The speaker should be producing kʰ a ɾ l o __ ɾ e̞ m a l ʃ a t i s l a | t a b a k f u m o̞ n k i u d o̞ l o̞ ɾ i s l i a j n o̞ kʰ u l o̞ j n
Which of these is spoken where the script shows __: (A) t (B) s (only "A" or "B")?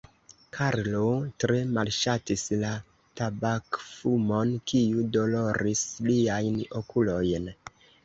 A